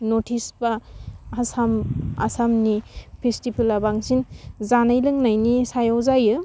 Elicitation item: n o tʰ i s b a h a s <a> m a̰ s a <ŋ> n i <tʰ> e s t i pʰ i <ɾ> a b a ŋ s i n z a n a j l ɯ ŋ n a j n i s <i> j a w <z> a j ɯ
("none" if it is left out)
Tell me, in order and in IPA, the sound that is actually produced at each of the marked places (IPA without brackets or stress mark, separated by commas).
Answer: a, m, pʰ, l, a, z